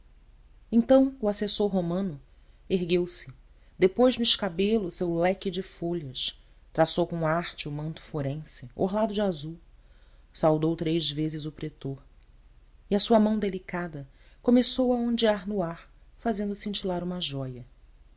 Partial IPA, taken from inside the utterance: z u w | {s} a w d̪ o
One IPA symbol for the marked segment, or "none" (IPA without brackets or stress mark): s